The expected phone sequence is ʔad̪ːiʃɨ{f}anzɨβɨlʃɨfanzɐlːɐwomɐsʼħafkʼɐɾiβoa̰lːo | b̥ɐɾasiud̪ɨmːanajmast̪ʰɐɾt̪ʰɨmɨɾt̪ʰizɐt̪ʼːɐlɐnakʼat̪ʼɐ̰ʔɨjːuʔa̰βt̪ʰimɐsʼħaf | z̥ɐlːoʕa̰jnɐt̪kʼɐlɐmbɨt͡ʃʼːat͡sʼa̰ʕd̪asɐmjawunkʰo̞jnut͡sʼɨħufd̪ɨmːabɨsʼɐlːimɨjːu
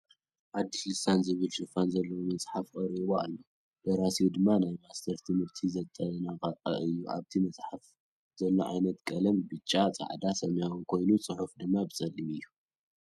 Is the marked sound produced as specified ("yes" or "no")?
no